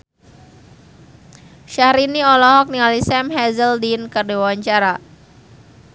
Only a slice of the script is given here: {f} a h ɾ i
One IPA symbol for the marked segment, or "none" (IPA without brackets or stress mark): ʃ